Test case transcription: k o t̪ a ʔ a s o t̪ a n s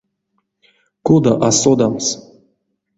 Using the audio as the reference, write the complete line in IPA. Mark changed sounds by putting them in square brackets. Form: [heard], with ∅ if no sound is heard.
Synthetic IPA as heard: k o [d̪] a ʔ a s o [d̪] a [m] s